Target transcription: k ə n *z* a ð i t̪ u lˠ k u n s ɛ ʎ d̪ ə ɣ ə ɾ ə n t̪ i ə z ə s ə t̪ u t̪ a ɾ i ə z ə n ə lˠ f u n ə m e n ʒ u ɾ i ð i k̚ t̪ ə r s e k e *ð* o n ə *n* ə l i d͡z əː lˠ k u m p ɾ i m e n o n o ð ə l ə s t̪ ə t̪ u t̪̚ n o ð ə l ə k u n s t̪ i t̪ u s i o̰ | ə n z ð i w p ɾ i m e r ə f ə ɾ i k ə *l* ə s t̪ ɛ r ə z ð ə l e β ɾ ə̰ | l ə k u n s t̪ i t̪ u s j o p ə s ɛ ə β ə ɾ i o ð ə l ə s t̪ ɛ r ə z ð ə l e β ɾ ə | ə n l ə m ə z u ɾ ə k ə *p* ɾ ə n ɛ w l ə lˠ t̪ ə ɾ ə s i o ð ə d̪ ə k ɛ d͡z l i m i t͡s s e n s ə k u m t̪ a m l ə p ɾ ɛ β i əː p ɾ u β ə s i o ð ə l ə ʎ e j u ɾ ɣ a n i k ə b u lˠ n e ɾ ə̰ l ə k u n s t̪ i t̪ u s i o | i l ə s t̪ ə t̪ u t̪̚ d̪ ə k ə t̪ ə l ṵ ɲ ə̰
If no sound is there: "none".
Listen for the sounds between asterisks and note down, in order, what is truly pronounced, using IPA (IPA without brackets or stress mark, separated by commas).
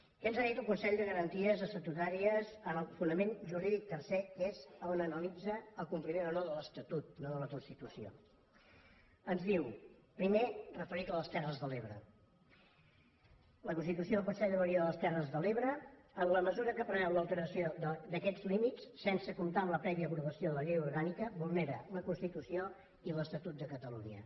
z, z, n, l, p